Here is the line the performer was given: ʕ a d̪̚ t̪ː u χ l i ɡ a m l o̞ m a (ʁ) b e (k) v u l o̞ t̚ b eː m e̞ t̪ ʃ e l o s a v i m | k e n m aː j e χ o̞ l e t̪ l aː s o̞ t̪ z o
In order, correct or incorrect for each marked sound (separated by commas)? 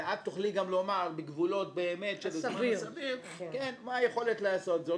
correct, incorrect